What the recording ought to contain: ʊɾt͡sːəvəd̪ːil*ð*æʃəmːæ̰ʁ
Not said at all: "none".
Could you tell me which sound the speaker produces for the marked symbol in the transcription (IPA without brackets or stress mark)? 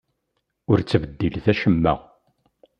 θ